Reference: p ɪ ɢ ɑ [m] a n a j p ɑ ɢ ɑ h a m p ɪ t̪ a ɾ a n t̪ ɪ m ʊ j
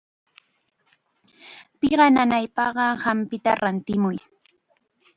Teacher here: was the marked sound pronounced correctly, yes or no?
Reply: no